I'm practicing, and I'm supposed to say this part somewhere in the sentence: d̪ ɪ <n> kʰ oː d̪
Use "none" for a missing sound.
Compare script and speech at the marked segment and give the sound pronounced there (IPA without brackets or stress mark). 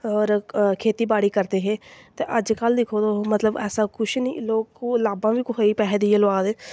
none